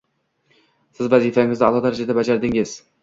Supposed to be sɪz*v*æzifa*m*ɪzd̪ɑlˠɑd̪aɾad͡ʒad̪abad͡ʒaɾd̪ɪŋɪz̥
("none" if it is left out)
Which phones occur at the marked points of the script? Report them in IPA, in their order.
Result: v, ŋ

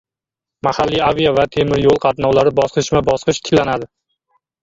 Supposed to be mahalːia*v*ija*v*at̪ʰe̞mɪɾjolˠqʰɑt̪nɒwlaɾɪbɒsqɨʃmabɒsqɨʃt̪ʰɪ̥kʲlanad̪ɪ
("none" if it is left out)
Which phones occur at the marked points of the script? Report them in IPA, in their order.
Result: v, v

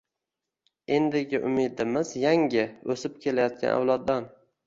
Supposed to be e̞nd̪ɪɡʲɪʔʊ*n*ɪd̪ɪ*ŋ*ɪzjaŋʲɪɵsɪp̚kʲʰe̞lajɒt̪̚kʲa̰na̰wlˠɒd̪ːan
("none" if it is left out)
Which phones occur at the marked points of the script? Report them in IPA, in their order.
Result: m, m

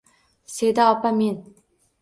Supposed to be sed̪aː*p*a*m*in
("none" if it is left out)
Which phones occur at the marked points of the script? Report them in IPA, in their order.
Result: p, m

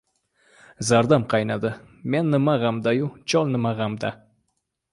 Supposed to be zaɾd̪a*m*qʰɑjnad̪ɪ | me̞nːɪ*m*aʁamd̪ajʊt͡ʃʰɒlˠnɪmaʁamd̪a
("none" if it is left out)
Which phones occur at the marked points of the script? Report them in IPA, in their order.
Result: m, m

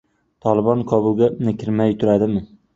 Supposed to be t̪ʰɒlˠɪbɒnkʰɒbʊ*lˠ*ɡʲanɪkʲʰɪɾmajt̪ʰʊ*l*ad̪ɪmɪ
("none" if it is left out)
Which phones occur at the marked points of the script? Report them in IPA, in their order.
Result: lˠ, ɾ

